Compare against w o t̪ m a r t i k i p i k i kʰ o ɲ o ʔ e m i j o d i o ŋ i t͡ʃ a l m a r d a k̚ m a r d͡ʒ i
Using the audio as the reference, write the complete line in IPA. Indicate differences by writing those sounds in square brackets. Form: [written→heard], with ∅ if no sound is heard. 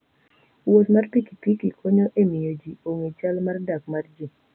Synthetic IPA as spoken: w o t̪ m a r [t→p] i k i p i k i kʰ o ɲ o ʔ e m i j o [d→d͡ʒ] i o ŋ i t͡ʃ a l m a r d a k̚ m a r d͡ʒ i

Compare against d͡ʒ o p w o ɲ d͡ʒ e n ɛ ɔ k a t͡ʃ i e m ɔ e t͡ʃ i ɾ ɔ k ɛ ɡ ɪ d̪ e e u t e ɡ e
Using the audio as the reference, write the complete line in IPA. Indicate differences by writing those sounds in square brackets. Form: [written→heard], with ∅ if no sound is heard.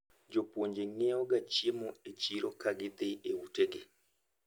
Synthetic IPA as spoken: d͡ʒ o p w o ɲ d͡ʒ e [n→ŋ] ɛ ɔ [k→ɡ] a t͡ʃ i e m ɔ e t͡ʃ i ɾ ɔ k [ɛ→a] ɡ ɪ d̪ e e u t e ɡ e

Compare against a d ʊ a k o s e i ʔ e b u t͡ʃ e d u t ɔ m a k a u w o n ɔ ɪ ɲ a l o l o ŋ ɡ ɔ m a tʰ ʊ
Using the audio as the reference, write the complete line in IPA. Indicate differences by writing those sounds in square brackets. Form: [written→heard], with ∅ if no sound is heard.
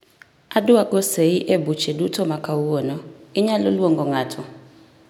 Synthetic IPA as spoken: a d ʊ a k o s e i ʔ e b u t͡ʃ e d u t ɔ m a k a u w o n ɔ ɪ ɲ a l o l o ŋ ɡ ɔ [m→ŋ] a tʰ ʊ

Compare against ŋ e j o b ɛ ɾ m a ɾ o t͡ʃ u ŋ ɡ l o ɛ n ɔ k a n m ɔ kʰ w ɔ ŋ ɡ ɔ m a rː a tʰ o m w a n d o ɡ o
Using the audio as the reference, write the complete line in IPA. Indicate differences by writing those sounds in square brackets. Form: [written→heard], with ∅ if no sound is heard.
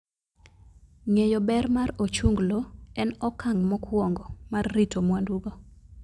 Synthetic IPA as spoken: ŋ e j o b ɛ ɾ m a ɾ o t͡ʃ u ŋ ɡ l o ɛ n ɔ k a [n→ŋ] m ɔ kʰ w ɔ ŋ ɡ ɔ m a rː [a→i] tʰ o m w a n d [o→u] ɡ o

